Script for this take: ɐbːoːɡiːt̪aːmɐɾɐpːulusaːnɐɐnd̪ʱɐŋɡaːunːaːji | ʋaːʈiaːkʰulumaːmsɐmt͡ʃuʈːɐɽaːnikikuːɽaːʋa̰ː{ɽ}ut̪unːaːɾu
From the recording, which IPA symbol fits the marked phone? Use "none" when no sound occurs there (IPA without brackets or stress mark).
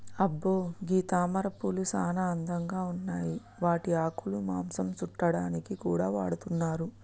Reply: ɽ